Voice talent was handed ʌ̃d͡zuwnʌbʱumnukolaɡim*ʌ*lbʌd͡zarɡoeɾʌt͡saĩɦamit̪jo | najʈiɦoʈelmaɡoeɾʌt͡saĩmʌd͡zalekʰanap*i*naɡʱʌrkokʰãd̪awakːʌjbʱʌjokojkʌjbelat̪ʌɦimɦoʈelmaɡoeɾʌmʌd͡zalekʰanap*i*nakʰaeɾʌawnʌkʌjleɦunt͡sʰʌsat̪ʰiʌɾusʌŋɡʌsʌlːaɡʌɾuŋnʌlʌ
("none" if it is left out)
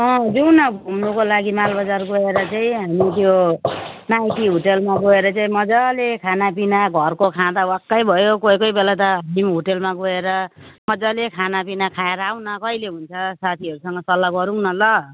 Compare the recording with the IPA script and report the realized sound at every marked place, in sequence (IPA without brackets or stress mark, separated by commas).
a, i, i